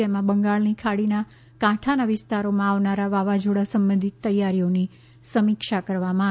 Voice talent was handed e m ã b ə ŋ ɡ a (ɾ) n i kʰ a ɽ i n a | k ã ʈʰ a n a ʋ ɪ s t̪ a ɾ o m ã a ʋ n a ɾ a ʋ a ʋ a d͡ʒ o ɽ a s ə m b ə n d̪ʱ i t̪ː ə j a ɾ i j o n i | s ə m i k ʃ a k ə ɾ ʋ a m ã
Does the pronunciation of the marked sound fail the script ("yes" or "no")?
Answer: yes